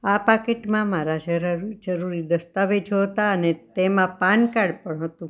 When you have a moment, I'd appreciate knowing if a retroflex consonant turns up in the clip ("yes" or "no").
yes